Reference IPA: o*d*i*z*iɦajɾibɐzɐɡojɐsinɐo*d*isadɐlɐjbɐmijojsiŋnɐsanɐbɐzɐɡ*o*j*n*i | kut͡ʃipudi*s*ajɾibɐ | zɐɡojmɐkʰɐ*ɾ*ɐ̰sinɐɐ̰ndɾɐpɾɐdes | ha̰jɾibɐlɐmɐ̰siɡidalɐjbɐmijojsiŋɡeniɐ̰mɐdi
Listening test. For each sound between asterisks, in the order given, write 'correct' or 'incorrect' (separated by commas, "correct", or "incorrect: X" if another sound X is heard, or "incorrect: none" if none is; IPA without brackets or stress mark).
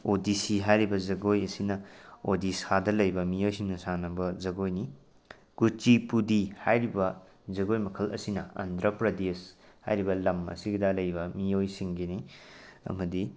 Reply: correct, incorrect: s, correct, correct, correct, incorrect: h, incorrect: l